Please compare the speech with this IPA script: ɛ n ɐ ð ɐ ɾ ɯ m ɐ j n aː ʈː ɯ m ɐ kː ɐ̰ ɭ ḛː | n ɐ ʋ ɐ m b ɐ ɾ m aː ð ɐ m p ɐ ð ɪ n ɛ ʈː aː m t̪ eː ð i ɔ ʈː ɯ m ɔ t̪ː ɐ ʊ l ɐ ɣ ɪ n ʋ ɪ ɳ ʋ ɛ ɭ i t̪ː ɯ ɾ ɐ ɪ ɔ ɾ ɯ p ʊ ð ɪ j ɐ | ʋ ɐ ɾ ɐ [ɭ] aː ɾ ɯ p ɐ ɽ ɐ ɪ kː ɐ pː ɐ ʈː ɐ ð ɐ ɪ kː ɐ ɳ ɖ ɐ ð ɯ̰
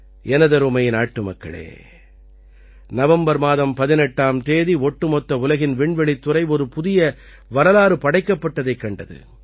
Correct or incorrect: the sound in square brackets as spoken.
incorrect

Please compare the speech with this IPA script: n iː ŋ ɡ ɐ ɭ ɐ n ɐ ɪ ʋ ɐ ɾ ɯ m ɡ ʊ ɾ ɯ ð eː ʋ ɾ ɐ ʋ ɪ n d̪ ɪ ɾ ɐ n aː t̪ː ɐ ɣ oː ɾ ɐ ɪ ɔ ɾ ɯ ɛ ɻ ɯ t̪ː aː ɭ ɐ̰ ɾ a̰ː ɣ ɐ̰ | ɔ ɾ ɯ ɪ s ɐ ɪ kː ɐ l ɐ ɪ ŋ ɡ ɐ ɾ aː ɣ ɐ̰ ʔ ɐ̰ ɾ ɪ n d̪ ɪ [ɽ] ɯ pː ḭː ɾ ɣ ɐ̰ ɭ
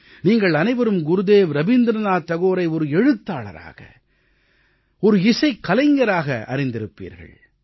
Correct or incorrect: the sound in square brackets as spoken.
incorrect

